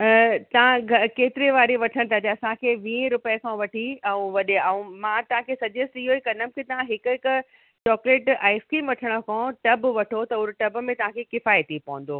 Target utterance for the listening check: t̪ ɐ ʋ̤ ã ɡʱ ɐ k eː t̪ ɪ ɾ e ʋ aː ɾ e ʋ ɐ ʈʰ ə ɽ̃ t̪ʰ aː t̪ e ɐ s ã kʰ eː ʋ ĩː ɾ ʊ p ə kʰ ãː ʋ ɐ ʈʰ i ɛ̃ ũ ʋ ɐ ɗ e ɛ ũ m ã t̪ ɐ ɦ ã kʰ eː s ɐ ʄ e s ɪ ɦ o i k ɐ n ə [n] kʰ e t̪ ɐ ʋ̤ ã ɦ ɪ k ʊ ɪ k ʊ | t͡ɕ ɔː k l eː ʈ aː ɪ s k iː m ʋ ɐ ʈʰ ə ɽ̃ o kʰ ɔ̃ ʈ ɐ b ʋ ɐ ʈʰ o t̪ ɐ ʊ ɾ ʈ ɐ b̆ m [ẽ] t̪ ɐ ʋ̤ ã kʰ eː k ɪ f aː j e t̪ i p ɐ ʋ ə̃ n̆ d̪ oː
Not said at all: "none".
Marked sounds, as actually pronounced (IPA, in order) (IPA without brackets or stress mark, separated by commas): m, ẽ